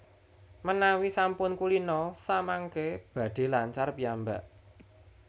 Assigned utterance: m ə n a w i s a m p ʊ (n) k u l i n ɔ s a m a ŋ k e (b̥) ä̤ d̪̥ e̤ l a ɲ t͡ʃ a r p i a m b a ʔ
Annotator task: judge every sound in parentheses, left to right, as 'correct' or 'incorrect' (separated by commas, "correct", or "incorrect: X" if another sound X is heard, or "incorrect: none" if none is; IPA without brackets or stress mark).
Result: correct, correct